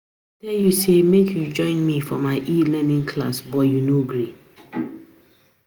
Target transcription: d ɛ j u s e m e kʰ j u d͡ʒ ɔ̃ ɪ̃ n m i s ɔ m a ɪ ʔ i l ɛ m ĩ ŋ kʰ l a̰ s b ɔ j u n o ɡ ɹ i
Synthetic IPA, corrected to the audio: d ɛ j u s e m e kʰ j u d͡ʒ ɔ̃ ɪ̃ n m i f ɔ m a ɪ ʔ i l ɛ n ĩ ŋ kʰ l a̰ s b ɔ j u n o ɡ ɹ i